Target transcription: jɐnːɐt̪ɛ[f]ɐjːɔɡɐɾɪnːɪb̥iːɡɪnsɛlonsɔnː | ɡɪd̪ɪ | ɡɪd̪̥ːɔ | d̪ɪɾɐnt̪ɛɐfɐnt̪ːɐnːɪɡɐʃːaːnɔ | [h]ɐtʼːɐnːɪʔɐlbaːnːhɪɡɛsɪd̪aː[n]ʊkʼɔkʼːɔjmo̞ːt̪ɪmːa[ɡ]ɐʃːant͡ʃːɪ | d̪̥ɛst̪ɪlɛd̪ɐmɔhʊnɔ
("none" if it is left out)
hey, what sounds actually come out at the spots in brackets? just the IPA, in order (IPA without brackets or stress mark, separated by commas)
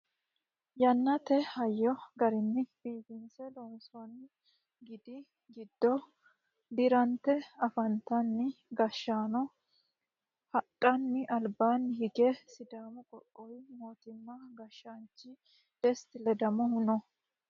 h, h, m, ɡ